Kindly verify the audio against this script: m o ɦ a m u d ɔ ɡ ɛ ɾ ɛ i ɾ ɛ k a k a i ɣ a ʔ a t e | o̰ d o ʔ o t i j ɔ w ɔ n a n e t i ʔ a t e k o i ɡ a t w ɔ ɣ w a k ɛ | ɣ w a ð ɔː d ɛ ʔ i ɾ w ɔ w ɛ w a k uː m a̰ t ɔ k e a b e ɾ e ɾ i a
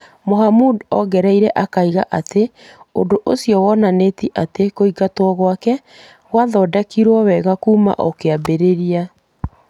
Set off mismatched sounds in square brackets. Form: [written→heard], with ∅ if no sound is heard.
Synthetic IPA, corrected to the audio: m o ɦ a m u d ɔ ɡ ɛ ɾ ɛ i ɾ ɛ [k→ʔ] a k a i ɣ a ʔ a t e | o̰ d o ʔ o [t→s] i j ɔ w ɔ n a n e t i ʔ a t e k o i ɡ a t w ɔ ɣ w a k ɛ | ɣ w a ð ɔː d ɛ [ʔ→k] i ɾ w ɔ w ɛ [w→ɣ] a k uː m a̰ [t→ʔ] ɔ k e a b e ɾ e ɾ i a